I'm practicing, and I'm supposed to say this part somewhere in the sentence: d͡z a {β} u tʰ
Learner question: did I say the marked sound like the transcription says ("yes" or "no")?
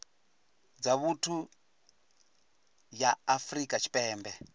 yes